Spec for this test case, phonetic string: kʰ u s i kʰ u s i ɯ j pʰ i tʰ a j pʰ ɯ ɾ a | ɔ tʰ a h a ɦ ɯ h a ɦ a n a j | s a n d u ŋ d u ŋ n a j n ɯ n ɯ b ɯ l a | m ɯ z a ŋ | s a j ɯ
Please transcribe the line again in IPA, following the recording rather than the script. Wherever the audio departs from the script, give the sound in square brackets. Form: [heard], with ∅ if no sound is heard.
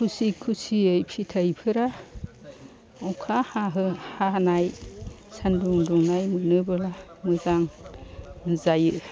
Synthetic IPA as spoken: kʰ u s i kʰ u s i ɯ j pʰ i tʰ a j pʰ ɯ ɾ a | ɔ [kʰ] a h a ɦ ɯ h a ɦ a n a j | s a n d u ŋ d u ŋ n a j [m] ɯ n ɯ b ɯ l a | m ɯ z a ŋ | [z] a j ɯ

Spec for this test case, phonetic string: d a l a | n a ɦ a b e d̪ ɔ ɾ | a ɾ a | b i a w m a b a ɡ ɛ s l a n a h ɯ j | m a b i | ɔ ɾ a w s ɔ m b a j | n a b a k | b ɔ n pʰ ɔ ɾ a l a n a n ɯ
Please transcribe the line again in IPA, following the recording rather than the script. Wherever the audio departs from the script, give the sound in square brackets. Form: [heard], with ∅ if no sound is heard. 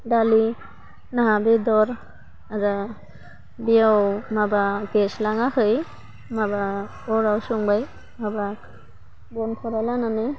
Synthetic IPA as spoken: d a l [i] | n a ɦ a b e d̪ ɔ ɾ | a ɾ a | b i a w m a b a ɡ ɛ s l a [ŋ] a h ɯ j | m a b [a] | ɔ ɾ a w s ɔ [ŋ] b a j | [m] a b a k | b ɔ n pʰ ɔ ɾ a l a n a n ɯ

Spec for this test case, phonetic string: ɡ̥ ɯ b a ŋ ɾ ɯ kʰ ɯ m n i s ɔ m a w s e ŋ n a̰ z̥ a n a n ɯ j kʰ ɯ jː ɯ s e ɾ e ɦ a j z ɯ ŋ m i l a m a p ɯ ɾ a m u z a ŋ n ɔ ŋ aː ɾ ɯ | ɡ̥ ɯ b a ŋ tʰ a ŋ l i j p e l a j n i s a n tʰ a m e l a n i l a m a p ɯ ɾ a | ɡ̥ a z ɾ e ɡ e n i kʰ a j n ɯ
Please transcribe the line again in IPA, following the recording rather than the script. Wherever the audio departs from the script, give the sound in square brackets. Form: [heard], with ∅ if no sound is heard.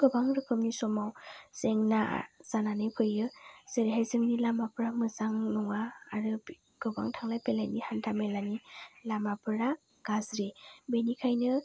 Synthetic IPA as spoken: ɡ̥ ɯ b a ŋ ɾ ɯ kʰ ɯ m n i s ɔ m a w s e ŋ n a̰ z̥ a n a n ɯ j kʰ ɯ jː ɯ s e ɾ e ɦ a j z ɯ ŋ [n] i l a m a p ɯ ɾ a m [ɯ] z a ŋ n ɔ ŋ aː ɾ ɯ | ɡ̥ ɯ b a ŋ tʰ a ŋ l [a] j p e l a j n i [h] a n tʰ a m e l a n i l a m a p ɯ ɾ a | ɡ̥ a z ɾ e [b] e n i kʰ a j n ɯ

